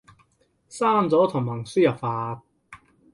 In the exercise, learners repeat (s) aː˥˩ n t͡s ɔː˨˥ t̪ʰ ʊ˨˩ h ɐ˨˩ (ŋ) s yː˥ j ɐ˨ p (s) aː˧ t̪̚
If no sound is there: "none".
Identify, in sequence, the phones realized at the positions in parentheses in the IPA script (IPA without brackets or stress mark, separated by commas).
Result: s, ŋ, f